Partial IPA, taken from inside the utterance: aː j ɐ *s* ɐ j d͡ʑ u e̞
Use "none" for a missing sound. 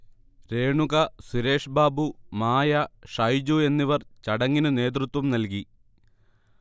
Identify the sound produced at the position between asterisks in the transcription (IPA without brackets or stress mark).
ʂ